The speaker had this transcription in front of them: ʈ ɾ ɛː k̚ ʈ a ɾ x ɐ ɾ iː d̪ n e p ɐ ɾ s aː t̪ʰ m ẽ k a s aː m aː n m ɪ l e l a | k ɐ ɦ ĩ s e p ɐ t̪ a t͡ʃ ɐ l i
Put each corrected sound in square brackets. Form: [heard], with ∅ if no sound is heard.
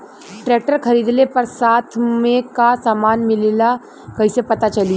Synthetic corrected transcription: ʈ ɾ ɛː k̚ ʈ [ə] ɾ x ɐ ɾ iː d̪ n e p ɐ ɾ s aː t̪ʰ m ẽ k a s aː m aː n m ɪ l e l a | k ɐ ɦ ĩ s e p ɐ t̪ a t͡ʃ ɐ l i